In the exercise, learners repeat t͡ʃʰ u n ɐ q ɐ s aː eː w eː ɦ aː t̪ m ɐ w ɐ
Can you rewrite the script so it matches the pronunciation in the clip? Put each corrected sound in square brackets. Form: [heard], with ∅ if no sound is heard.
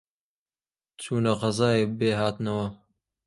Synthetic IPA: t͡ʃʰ [uː] n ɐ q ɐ [z] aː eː [b] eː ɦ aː t̪ [n] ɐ w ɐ